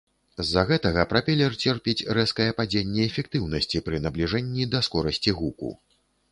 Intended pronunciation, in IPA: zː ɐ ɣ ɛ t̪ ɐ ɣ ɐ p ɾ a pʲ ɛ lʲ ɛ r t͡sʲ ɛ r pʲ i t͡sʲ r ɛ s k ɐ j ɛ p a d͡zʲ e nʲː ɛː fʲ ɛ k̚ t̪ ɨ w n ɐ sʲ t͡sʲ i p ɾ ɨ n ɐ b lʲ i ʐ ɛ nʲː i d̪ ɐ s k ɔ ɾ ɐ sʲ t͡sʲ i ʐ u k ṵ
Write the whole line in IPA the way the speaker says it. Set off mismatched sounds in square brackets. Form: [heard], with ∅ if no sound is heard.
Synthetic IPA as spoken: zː ɐ ɣ ɛ t̪ ɐ ɣ ɐ p ɾ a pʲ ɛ lʲ ɛ r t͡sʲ ɛ r pʲ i t͡sʲ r ɛ s k ɐ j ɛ p a d͡zʲ e nʲː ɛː fʲ ɛ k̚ t̪ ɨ w n ɐ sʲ t͡sʲ i p ɾ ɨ n ɐ b lʲ i ʐ ɛ nʲː i d̪ ɐ s k ɔ ɾ ɐ sʲ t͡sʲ i [ɣ] u k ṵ